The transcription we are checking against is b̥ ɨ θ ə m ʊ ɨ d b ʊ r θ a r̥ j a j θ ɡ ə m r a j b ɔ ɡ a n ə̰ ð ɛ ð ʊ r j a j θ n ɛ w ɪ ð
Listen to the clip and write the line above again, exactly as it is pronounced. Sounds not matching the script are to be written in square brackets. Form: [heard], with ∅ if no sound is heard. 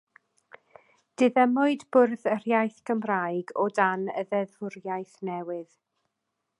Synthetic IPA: [d̥] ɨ [ð] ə m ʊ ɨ d b ʊ r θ [ə] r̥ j a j θ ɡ ə m r a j [ɡ] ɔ [d] a n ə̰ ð ɛ ð ʊ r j a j θ n ɛ w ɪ ð